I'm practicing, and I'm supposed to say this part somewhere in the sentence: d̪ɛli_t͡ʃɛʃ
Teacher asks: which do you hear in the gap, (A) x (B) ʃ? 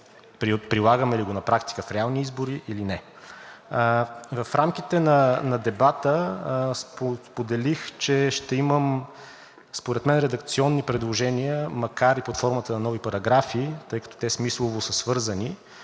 A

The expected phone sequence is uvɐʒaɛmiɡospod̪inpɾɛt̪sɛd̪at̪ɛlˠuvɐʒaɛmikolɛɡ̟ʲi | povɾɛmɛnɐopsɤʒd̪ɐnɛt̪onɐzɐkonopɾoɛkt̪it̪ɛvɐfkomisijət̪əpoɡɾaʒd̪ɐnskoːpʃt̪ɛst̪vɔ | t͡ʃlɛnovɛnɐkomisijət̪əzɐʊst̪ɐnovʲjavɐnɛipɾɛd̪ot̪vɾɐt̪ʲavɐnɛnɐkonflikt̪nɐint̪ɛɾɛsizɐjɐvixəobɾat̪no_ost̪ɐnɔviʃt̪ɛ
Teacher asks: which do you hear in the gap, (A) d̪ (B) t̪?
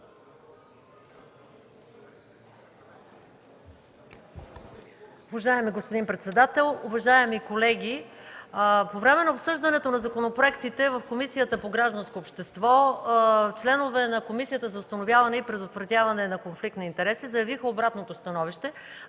B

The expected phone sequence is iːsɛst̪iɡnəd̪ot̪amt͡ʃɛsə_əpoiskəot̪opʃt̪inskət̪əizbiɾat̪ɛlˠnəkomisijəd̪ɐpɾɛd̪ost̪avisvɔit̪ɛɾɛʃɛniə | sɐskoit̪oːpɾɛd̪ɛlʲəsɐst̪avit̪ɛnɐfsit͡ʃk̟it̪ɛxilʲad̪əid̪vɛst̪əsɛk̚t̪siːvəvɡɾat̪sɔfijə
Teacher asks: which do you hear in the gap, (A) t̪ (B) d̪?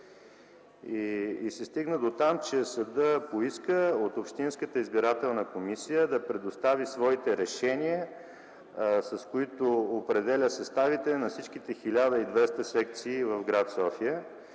B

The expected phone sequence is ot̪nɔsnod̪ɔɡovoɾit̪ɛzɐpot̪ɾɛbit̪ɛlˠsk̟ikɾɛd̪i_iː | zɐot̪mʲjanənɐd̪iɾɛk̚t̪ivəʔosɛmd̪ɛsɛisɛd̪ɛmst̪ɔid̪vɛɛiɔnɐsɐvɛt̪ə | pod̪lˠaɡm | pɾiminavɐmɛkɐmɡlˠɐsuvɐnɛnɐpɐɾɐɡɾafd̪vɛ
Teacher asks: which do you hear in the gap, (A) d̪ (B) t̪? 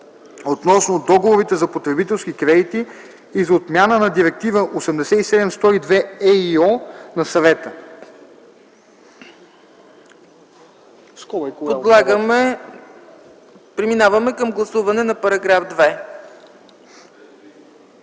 B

